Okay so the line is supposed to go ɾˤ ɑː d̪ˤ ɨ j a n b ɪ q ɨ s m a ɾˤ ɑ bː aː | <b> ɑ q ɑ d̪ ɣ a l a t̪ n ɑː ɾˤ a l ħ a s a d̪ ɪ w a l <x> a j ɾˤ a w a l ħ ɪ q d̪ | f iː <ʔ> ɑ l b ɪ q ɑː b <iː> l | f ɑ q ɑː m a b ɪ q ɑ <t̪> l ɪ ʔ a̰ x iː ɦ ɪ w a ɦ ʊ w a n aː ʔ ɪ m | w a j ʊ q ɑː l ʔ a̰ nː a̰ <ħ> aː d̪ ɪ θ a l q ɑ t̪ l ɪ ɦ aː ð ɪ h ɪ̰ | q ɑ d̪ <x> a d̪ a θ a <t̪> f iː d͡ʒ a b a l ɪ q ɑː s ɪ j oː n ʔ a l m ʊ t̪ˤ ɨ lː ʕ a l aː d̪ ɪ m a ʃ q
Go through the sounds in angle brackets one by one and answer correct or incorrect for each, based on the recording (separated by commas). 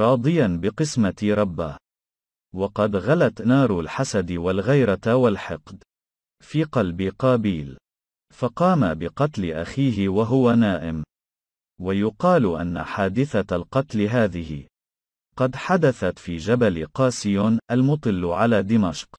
incorrect, incorrect, incorrect, correct, correct, correct, incorrect, correct